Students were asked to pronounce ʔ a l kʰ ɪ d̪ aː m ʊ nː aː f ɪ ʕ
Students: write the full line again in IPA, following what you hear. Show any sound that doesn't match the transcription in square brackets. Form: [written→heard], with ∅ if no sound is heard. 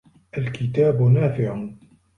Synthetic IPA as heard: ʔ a l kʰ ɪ [d̪→t̪] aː [m→b] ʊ [nː→n] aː f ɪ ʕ